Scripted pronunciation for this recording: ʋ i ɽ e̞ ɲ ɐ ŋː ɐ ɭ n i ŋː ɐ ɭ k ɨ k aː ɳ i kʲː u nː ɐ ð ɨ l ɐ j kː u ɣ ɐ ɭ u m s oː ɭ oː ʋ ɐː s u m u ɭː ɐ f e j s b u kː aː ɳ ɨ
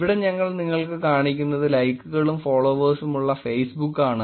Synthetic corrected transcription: ʋ i ɽ e̞ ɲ ɐ ŋː ɐ ɭ n i ŋː ɐ ɭ k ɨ k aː ɳ i kʲː u nː ɐ ð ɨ l ɐ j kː u ɣ ɐ ɭ u m f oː ɭ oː ʋ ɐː s u m u ɭː ɐ f e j s b u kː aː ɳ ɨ